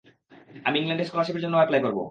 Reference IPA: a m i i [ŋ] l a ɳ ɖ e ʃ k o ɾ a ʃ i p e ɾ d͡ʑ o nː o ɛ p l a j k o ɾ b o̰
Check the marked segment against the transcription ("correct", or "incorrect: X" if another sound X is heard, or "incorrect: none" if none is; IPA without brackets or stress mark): correct